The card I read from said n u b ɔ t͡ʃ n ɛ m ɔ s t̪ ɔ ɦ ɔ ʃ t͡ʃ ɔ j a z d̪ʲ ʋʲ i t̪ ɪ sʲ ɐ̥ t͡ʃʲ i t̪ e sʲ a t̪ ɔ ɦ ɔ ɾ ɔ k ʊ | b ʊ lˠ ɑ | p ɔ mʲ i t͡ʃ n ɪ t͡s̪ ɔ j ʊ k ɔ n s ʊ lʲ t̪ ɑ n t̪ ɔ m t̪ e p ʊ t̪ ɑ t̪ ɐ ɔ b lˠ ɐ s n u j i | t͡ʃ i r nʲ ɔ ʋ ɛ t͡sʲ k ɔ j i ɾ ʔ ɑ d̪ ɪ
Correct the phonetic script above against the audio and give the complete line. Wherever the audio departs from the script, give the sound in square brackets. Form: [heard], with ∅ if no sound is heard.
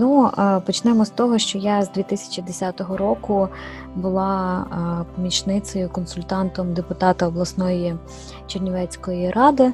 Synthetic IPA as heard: n u [p] ɔ t͡ʃ n ɛ m ɔ s t̪ ɔ ɦ ɔ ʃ t͡ʃ ɔ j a z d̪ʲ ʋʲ i t̪ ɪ sʲ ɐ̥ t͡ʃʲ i [d̪] e sʲ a t̪ ɔ ɦ ɔ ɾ ɔ k ʊ | b ʊ lˠ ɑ | p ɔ mʲ i t͡ʃ n ɪ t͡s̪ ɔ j ʊ k ɔ n s ʊ lʲ t̪ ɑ n t̪ ɔ m [d̪] e p ʊ t̪ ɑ t̪ ɐ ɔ b lˠ ɐ s n [ɔ] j i | t͡ʃ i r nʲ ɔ ʋ ɛ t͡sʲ k ɔ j i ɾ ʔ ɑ d̪ ɪ